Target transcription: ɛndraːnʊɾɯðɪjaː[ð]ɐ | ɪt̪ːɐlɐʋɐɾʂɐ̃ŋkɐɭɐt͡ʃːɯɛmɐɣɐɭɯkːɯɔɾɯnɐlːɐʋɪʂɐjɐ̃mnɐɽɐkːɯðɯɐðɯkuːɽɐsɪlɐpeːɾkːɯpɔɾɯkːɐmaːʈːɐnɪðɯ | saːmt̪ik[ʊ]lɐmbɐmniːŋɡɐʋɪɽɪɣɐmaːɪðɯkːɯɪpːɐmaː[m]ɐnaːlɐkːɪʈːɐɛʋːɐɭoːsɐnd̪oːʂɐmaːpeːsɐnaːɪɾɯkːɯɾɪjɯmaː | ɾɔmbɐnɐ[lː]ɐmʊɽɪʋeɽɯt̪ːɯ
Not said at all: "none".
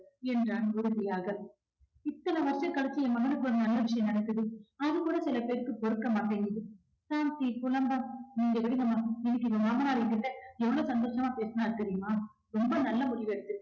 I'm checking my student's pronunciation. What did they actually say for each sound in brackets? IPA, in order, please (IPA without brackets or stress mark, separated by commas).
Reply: ɣ, ʊ, m, lː